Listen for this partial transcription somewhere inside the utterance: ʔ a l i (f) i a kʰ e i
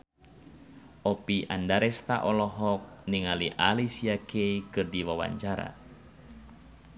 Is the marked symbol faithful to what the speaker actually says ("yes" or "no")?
no